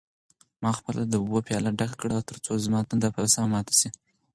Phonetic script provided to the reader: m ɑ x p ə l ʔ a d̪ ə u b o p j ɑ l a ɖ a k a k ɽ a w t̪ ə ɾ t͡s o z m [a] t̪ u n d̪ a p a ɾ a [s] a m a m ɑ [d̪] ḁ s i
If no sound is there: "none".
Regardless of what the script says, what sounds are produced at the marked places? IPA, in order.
ɑ, s, t̪

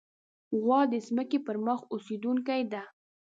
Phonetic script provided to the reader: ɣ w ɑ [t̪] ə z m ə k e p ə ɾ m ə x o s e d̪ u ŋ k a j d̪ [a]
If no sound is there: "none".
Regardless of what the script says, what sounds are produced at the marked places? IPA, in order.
d̪, a

